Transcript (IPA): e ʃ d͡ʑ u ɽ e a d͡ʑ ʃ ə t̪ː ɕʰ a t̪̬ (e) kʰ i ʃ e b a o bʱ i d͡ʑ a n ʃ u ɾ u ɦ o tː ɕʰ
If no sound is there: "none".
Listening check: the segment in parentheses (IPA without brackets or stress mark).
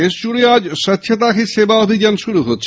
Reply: a